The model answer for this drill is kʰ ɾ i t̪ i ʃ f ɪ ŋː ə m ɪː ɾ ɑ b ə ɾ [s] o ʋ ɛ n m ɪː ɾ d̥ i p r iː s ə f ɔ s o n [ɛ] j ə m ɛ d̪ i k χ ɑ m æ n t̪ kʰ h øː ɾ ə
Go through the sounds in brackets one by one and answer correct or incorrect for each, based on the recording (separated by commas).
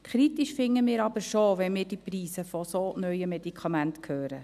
incorrect, incorrect